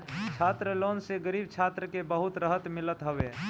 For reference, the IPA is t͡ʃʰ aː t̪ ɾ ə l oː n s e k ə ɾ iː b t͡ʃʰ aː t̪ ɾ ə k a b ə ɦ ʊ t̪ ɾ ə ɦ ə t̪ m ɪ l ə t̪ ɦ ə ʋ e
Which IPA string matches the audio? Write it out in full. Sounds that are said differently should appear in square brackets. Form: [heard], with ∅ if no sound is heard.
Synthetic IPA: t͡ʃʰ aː t̪ ɾ ə l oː n s e [ɡ] ə ɾ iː b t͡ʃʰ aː t̪ ɾ ə k [e] b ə ɦ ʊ t̪ ɾ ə ɦ ə t̪ m ɪ l ə t̪ ɦ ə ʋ e